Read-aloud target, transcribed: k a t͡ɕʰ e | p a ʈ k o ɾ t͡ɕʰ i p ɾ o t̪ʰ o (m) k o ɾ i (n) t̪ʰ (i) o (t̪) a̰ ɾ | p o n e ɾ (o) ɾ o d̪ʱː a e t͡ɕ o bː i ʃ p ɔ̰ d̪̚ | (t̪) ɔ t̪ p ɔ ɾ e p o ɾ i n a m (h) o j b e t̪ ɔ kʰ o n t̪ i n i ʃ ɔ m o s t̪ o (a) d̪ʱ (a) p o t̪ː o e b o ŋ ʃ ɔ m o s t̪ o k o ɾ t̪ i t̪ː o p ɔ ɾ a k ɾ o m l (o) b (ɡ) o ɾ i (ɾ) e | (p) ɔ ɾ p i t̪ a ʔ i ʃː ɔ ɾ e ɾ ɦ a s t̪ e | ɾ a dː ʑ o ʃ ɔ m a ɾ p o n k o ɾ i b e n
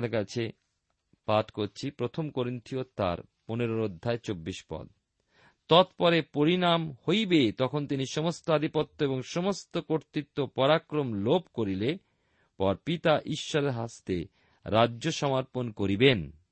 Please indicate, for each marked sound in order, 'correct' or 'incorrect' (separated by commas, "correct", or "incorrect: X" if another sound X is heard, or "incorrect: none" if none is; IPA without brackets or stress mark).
correct, correct, correct, correct, correct, correct, correct, correct, incorrect: i, correct, incorrect: k, incorrect: l, correct